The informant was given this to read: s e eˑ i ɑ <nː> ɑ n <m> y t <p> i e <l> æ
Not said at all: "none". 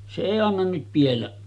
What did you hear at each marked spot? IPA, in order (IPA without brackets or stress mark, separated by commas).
nː, n, p, lː